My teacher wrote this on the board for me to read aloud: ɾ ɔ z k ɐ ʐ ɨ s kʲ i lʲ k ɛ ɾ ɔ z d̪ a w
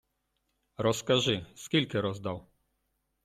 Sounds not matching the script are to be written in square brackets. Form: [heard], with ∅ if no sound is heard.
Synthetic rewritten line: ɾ ɔ [s] k [a] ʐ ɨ s kʲ i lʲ k ɛ ɾ ɔ z d̪ a w